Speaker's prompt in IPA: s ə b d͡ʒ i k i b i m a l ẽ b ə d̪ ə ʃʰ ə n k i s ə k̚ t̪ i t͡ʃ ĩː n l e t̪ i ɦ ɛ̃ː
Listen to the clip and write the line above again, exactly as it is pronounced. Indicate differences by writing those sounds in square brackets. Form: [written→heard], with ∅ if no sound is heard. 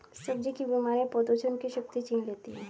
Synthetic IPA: s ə b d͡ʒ i k i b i m a [l→ɾ] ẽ [b→p] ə d̪ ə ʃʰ ə n k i [s→ʃ] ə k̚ t̪ i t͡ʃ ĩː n l e t̪ i ɦ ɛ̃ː